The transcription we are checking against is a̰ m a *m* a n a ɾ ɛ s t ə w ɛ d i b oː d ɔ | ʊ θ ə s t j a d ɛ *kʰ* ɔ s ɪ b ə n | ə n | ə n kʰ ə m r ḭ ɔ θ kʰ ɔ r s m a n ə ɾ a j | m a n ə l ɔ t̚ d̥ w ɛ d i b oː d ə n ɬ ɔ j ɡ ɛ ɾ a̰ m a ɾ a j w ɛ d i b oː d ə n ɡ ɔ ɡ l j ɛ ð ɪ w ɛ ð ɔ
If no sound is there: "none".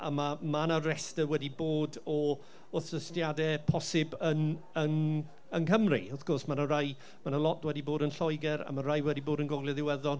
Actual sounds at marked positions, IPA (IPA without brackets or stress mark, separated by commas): m, pʰ